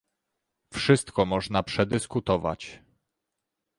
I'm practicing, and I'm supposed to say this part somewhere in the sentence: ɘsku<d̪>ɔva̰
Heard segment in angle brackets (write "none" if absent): t̪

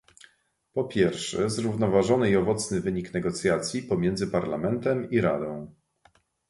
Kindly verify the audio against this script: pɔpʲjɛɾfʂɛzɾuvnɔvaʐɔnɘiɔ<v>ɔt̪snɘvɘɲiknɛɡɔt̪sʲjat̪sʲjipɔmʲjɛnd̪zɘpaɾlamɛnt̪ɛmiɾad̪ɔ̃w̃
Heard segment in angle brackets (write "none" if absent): v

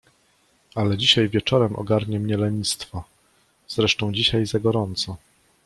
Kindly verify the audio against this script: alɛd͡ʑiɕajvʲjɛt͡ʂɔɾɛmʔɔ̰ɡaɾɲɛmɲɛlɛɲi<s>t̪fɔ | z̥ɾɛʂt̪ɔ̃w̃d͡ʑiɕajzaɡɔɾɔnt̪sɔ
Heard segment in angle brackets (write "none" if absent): s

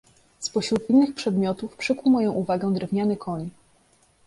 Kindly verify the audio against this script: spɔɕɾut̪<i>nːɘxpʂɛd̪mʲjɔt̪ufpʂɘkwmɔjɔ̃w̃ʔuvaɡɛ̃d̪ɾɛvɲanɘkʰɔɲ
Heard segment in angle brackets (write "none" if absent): i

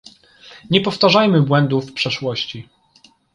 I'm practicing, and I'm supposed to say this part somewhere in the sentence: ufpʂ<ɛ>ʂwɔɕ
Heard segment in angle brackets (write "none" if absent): ɛ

